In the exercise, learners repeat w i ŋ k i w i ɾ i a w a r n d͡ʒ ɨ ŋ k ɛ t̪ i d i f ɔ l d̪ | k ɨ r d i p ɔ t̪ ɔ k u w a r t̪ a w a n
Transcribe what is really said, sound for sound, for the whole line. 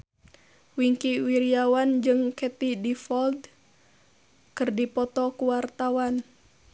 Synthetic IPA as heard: w i ŋ k i w i ɾ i a w a n d͡ʒ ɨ ŋ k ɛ t̪ i d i f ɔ l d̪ | k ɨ r d i p ɔ t̪ ɔ k u w a r t̪ a w a n

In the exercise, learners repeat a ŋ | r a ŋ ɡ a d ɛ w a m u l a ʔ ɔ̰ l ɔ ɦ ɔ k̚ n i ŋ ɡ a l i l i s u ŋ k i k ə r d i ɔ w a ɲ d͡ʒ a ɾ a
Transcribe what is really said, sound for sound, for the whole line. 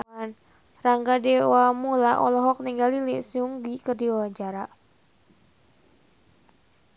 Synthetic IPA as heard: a n | r a ŋ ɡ a d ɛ w a m u l a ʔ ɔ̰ l ɔ ɦ ɔ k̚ n i ŋ ɡ a l i l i s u ŋ ɡ i k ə r d i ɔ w a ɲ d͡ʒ a ɾ a

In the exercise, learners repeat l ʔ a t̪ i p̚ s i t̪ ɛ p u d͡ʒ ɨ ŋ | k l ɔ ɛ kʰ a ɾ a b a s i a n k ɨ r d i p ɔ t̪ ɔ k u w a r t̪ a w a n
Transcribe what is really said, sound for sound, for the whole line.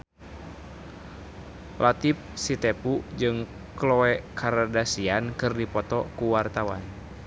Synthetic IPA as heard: l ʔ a t̪ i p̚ s i t̪ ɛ p u d͡ʒ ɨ ŋ | k l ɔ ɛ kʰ a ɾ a d a s i a n k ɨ r d i p ɔ t̪ ɔ k u w a r t̪ a w a n

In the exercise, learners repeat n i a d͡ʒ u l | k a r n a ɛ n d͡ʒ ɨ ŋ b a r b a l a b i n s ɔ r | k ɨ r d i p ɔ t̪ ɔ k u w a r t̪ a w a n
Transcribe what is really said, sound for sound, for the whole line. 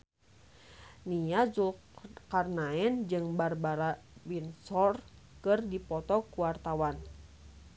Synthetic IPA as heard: n i a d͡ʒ u l | k a r n a ɛ n d͡ʒ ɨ ŋ b a r b a ɾ a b i n s ɔ r | k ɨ r d i p ɔ t̪ ɔ k u w a r t̪ a w a n

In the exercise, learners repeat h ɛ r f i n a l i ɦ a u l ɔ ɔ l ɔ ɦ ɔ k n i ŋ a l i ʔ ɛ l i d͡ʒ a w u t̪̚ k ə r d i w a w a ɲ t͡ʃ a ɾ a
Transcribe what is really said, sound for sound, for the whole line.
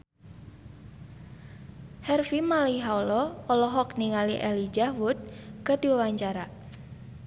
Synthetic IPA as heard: h ɛ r f i m a l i ɦ a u l ɔ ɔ l ɔ ɦ ɔ k n i ŋ a l i ʔ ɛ l i d͡ʒ a w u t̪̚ k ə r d i w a w a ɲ t͡ʃ a ɾ a

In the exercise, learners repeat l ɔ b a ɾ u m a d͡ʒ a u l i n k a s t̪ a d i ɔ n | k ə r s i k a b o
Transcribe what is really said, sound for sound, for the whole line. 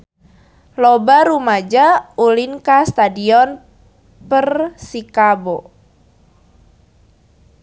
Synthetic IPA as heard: l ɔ b a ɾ u m a d͡ʒ a u l i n k a s t̪ a d i ɔ n | p ə r s i k a b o

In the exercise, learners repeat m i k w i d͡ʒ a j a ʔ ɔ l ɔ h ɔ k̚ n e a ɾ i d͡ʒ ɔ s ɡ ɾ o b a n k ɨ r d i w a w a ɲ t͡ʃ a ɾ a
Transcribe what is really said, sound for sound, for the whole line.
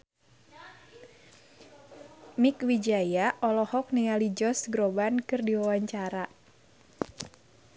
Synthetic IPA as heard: m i k w i d͡ʒ a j a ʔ ɔ l ɔ h ɔ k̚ n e a l i d͡ʒ ɔ s ɡ ɾ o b a n k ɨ r d i w a w a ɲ t͡ʃ a ɾ a

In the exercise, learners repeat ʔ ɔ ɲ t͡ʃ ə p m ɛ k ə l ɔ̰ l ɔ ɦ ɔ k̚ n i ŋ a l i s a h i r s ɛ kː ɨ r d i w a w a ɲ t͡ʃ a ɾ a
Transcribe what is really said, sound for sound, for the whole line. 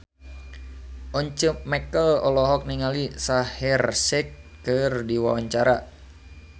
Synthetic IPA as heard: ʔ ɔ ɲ t͡ʃ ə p m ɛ k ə l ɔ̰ l ɔ ɦ ɔ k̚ n i ŋ a l i s a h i r s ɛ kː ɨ r d i w a w a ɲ t͡ʃ a ɾ a

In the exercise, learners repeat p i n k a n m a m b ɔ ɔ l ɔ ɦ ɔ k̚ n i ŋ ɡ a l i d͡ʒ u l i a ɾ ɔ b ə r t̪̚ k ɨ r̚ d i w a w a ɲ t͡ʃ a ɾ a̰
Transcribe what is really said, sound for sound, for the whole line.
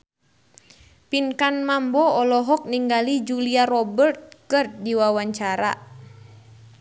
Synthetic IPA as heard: p i n k a n m a m b ɔ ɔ l ɔ ɦ ɔ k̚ n i ŋ ɡ a l i d͡ʒ u l i a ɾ ɔ b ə r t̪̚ k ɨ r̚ d i w a w a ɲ t͡ʃ a ɾ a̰

